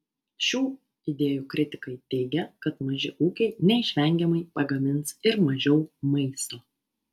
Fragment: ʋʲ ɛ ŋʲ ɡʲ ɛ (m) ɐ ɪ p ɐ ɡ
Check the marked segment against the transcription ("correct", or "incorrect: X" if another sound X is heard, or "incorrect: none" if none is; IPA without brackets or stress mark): correct